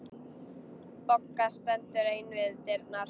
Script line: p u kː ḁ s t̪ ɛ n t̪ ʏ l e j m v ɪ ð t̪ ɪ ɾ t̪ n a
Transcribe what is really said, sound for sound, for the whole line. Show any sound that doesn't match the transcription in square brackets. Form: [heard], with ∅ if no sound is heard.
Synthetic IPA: p [ɔ] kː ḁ s t̪ ɛ n t̪ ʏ [ɾ] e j [n] v ɪ ð t̪ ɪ ɾ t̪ n a

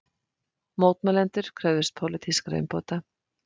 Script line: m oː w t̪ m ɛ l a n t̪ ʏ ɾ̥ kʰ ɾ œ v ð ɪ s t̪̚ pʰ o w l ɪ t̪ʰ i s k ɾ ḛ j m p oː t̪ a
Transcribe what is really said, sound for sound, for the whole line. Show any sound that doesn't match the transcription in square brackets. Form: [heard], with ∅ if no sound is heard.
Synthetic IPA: m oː w t̪ m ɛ l [ɛ] n t̪ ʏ ɾ̥ kʰ ɾ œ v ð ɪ s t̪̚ pʰ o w l ɪ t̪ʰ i s k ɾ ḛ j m p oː t̪ a

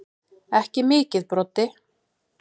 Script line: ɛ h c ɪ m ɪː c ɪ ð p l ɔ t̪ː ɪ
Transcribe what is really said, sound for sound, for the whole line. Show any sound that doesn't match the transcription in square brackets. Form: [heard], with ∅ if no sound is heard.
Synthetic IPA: ɛ h c ɪ m ɪː c ɪ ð p [ɾ] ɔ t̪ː ɪ

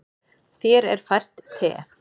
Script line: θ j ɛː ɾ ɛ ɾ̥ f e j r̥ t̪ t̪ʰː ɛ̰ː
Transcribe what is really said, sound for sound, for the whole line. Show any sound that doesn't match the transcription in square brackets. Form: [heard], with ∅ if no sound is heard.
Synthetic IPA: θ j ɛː ɾ ɛ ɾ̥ f [a] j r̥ t̪ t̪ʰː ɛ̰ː

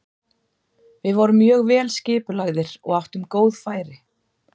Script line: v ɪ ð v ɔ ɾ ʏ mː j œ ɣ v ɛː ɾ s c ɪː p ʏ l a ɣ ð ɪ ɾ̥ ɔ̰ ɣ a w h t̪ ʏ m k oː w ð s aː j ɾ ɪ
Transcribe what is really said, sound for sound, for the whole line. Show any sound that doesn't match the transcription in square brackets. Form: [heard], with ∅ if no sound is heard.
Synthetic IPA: v ɪ ð v ɔ ɾ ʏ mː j [œː] ɣ v ɛː [l] s c ɪː p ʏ l a ɣ ð ɪ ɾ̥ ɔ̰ ɣ a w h t̪ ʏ m k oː w ð [f] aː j ɾ ɪ

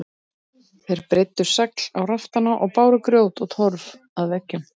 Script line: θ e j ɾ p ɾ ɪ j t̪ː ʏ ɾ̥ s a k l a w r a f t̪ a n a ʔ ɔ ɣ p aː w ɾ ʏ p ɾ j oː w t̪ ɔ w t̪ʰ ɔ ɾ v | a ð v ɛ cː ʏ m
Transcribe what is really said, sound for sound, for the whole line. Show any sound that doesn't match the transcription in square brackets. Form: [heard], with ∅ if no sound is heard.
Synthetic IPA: θ e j ɾ p ɾ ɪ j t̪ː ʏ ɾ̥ s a k l a w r a f t̪ a n a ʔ ɔ ɣ p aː w ɾ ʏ [k] ɾ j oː w t̪ ɔ [ɣ] t̪ʰ ɔ ɾ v | a ð v ɛ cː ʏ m

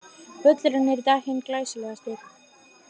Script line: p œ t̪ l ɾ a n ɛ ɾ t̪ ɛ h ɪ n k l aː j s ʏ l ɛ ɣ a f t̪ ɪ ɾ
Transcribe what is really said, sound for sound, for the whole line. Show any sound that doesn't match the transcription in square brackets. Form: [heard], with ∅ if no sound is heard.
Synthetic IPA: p œ t̪ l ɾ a n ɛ ɾ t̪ [a] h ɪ n k l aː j s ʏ l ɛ ɣ a [s] t̪ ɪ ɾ

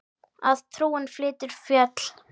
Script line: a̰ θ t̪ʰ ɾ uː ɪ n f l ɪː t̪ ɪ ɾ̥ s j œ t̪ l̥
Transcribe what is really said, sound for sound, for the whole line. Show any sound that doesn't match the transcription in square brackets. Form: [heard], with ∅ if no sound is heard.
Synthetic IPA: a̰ [ð] t̪ʰ ɾ uː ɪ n f l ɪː t̪ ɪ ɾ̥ [f] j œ t̪ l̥

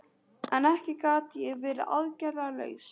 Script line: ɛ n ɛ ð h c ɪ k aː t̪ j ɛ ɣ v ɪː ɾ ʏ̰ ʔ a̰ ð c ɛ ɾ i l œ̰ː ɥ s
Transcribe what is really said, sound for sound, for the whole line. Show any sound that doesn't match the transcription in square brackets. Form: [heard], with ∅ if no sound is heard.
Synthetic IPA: ɛ n ɛ [∅] h c ɪ k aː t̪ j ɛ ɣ v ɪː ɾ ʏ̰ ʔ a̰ ð c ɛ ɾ [a] l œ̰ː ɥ s

